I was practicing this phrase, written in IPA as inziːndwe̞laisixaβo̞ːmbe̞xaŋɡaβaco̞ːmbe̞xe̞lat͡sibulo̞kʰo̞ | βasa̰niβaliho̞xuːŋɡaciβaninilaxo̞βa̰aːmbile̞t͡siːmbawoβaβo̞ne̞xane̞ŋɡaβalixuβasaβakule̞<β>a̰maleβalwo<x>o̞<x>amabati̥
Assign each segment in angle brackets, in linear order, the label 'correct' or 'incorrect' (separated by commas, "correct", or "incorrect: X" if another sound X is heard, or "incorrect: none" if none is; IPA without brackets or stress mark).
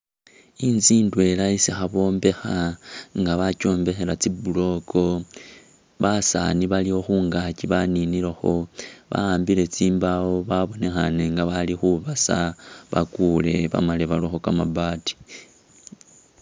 correct, correct, incorrect: k